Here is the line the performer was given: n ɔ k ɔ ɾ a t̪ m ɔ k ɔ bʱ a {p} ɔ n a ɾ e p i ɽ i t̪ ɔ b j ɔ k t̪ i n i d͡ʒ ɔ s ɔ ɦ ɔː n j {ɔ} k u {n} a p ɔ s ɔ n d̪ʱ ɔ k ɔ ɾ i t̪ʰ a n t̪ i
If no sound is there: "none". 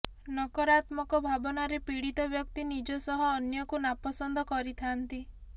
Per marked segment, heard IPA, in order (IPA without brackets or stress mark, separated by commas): b, ɔ, n